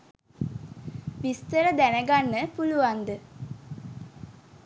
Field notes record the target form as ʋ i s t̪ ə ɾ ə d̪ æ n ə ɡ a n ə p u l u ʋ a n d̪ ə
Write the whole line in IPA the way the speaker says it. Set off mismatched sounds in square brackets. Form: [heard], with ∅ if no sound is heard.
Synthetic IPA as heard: ʋ i s t̪ ə ɾ ə d̪ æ n ə ɡ a [nː] ə p u l u ʋ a n d̪ ə